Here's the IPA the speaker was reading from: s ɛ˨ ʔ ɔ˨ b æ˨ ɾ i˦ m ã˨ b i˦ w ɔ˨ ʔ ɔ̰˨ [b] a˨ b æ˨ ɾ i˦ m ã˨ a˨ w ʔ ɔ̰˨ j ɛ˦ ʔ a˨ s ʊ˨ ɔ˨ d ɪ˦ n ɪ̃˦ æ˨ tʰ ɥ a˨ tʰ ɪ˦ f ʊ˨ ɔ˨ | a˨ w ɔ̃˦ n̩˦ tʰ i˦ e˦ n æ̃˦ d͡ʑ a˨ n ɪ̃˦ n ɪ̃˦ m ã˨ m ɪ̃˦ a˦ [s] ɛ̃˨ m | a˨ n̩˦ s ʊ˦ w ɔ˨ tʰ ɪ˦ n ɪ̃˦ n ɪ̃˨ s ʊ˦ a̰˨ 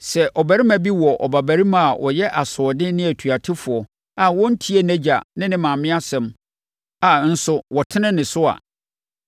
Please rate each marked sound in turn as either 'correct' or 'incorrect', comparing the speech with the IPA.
correct, correct

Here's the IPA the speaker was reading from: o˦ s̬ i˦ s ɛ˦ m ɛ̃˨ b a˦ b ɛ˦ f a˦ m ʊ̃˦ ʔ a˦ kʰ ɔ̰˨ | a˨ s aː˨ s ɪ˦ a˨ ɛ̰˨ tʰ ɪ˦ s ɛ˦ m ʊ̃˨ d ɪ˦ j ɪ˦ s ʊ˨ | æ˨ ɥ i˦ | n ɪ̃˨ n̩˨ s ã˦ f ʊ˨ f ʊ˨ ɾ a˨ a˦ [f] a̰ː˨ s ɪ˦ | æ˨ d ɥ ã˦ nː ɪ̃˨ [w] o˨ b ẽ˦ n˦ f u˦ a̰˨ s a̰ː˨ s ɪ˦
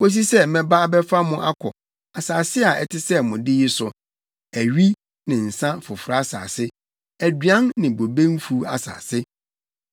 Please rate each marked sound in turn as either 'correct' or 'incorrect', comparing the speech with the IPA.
incorrect: s, incorrect: b

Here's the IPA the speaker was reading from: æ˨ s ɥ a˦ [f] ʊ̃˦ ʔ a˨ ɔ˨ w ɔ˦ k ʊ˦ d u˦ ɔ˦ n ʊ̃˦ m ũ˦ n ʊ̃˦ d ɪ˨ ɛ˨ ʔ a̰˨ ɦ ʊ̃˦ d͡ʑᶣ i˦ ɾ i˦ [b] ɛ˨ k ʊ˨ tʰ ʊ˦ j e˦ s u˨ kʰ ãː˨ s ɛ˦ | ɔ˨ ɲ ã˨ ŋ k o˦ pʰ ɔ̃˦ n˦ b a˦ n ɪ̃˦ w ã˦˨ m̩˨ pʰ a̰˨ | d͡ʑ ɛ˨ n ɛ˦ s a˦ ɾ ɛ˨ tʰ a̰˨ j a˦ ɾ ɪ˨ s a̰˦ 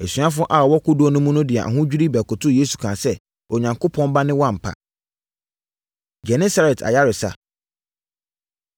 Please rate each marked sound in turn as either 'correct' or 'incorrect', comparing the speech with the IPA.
correct, correct

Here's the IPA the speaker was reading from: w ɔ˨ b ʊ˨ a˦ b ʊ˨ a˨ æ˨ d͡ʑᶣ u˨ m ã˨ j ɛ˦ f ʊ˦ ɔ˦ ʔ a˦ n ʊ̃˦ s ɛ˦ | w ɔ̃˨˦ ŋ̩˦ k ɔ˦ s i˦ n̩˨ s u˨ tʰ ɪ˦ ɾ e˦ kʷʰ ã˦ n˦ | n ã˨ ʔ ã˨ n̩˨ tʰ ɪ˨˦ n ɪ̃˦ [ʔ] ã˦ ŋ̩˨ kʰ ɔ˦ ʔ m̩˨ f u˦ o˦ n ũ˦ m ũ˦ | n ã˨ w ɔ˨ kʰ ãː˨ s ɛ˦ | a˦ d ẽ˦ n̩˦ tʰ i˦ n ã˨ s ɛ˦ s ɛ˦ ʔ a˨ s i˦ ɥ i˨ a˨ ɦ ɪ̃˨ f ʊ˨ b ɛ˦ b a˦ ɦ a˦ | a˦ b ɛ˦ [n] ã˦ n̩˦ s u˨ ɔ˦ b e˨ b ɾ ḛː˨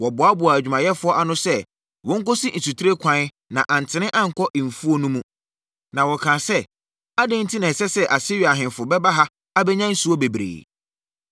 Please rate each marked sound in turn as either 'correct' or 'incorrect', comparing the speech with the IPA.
correct, incorrect: ɲ

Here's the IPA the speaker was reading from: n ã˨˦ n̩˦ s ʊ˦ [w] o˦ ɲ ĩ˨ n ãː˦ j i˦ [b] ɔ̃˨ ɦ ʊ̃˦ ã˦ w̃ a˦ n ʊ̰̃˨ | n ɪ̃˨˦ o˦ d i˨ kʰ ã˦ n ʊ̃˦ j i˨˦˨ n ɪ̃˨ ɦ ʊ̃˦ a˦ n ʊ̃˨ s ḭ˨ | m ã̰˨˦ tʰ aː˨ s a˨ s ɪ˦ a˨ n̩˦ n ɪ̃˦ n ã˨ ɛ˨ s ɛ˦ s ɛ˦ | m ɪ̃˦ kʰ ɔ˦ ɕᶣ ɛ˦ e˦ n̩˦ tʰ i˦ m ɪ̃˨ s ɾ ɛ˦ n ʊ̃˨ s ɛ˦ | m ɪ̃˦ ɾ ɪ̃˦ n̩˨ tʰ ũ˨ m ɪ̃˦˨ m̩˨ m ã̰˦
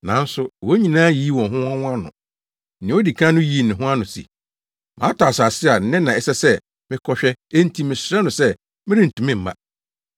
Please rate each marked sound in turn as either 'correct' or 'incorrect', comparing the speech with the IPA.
correct, incorrect: w

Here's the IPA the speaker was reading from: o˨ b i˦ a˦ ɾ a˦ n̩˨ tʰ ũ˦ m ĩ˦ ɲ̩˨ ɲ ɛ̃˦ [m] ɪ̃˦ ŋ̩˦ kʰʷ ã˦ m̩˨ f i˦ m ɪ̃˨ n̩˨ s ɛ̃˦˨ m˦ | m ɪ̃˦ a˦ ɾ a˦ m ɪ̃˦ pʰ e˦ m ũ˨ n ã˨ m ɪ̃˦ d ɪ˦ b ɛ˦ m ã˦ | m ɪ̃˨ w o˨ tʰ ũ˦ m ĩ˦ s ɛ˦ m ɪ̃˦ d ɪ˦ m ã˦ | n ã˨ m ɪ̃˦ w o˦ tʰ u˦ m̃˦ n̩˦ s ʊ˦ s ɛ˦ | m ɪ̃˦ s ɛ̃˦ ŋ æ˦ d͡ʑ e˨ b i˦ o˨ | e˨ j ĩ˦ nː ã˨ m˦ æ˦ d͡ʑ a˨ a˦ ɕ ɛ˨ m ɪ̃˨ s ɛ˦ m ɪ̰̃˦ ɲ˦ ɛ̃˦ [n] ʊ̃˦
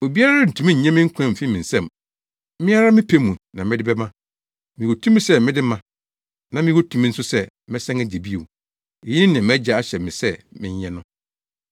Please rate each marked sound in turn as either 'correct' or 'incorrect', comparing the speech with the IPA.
correct, correct

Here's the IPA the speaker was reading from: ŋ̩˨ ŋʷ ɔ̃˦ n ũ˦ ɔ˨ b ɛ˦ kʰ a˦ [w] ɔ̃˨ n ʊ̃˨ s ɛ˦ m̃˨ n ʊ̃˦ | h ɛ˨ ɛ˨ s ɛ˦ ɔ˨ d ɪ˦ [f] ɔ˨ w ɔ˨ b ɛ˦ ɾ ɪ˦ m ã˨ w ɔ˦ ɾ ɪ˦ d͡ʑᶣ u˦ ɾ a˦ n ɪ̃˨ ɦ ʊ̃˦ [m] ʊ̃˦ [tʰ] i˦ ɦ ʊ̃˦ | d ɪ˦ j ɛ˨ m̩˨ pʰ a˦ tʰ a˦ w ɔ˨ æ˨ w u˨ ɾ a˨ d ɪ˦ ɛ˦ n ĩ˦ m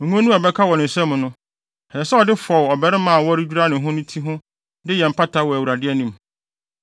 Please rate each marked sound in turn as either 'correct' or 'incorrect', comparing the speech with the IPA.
correct, correct, incorrect: n, correct

